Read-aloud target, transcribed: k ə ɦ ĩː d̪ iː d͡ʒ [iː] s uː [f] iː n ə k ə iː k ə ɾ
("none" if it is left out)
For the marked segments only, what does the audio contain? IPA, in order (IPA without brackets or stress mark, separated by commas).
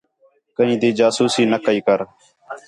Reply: aː, s